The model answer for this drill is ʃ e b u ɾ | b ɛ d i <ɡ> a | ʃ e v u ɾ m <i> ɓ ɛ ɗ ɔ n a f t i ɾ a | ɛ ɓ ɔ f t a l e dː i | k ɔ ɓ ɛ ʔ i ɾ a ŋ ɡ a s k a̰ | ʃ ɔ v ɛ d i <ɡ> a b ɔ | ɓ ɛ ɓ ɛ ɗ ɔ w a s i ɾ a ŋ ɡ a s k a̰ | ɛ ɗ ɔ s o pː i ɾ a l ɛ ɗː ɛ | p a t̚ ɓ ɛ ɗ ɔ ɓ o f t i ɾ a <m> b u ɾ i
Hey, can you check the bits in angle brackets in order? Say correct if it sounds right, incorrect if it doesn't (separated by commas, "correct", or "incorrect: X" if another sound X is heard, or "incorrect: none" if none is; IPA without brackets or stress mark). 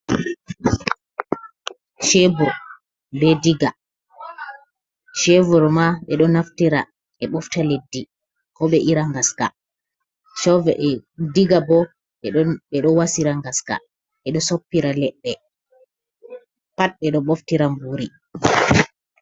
correct, incorrect: a, correct, correct